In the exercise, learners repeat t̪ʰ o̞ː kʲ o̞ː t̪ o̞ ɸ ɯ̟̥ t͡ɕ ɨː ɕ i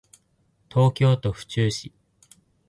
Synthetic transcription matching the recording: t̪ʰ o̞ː kʲ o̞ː t̪ o̞ ɸ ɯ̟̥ t͡ɕ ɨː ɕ i